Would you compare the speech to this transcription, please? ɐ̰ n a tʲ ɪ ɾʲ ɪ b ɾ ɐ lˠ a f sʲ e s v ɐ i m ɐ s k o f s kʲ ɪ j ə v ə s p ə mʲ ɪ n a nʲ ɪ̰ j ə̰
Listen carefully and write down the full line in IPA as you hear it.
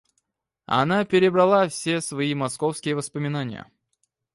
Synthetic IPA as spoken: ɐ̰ n a pʲ ɪ ɾʲ ɪ b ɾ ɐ lˠ a f sʲ e s v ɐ i m ɐ s k o f s kʲ ɪ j ə v ə s p ə mʲ ɪ n a nʲ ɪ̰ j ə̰